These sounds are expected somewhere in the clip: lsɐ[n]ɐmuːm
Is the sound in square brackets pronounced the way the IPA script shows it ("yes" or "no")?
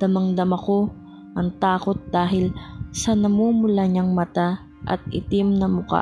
yes